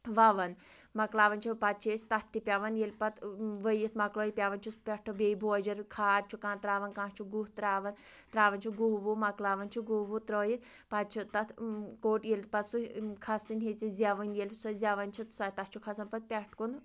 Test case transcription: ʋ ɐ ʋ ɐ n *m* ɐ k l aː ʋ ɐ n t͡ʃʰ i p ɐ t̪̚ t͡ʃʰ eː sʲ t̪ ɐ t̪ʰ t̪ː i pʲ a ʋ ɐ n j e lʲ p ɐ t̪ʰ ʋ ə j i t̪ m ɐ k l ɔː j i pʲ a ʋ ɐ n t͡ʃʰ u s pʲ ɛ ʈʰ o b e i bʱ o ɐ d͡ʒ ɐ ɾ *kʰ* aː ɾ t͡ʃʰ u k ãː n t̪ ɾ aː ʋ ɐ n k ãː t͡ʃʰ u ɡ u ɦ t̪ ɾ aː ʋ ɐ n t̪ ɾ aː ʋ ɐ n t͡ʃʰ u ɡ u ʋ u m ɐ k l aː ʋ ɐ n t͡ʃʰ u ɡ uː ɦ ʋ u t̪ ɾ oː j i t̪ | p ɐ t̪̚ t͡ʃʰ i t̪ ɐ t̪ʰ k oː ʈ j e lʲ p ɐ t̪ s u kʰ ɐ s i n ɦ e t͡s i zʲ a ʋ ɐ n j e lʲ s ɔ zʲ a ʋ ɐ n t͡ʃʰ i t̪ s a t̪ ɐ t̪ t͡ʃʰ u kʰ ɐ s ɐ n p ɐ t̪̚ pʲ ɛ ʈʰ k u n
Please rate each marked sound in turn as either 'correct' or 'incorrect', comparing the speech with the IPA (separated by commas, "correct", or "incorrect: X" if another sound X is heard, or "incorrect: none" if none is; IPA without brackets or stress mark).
correct, correct